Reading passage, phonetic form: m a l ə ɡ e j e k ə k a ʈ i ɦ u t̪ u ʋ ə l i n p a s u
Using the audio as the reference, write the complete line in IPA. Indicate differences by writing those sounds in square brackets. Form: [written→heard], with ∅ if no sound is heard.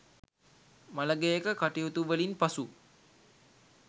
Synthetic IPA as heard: m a l ə ɡ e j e k ə k a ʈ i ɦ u t̪ u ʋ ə l i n p a s u